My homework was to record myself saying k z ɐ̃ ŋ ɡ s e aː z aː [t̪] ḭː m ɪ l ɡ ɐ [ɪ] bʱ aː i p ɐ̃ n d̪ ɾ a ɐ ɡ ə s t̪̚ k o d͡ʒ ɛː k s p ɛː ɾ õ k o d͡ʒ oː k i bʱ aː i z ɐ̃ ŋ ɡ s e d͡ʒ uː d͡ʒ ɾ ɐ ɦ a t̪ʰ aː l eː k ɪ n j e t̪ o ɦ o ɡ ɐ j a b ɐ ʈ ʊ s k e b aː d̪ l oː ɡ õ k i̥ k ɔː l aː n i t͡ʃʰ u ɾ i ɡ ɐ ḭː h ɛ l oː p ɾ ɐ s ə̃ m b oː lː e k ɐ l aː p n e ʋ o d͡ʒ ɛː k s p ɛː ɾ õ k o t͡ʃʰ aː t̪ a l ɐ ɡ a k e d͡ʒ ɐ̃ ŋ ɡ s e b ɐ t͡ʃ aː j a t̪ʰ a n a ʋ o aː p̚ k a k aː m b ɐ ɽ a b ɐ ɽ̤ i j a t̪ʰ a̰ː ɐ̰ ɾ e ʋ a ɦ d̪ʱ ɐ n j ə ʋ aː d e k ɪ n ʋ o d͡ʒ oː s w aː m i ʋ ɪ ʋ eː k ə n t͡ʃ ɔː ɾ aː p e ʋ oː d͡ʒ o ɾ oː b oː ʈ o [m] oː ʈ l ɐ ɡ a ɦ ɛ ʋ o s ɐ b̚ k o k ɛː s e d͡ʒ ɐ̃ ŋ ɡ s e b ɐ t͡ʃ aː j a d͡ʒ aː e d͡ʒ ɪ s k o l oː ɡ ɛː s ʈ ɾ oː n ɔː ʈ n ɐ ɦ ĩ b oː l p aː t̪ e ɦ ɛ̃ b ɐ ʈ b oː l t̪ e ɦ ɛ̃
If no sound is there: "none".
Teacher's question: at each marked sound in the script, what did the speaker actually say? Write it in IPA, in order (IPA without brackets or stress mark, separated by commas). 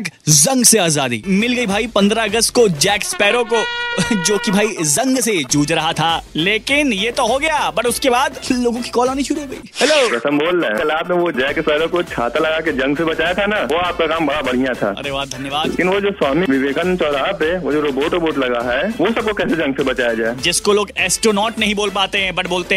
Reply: d̪, i, b